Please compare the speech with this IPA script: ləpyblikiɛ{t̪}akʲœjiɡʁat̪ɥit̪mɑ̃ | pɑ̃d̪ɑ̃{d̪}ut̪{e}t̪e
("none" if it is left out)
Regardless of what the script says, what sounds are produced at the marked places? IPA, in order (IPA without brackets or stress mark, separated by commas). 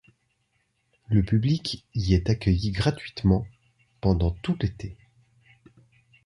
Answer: t̪, t̪, e